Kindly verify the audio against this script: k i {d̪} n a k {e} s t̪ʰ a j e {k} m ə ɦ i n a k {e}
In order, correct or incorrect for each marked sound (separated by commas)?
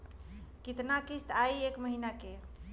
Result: incorrect, incorrect, correct, correct